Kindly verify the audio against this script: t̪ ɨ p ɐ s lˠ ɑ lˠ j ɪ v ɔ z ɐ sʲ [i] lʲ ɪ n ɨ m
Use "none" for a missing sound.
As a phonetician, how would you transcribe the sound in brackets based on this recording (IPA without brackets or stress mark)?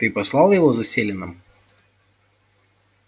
e